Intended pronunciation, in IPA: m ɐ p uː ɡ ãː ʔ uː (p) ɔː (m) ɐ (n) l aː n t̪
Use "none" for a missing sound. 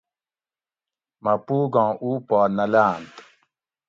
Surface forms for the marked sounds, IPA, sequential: p, n, none

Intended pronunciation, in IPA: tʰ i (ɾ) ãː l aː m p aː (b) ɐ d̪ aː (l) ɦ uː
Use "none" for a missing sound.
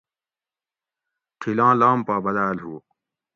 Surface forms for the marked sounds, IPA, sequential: l, b, l

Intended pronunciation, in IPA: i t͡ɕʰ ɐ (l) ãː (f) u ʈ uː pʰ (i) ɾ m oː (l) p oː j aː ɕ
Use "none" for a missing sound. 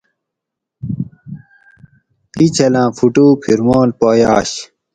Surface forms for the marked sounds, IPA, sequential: l, f, i, l

